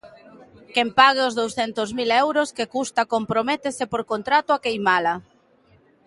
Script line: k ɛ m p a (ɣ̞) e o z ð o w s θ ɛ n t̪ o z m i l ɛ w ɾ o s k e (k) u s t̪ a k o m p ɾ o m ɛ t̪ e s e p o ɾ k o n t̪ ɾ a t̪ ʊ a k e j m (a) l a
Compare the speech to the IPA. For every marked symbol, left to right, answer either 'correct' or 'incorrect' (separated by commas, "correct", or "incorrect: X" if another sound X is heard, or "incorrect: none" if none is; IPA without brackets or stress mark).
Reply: correct, correct, correct